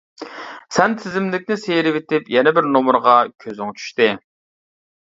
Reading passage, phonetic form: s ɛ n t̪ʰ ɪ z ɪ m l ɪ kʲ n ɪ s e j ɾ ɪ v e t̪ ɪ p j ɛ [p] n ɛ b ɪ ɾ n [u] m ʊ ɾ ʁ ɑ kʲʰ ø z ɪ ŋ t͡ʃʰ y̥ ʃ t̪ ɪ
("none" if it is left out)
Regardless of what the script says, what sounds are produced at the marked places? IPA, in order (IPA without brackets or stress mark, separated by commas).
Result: none, o